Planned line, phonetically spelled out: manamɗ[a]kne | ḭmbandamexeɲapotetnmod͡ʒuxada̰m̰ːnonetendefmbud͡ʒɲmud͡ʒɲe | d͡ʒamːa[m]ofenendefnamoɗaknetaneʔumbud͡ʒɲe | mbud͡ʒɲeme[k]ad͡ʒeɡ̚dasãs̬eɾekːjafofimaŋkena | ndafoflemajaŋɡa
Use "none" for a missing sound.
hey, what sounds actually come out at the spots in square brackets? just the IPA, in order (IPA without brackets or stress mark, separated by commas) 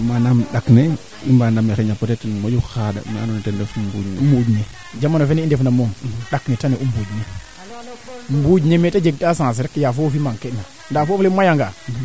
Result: a, n, t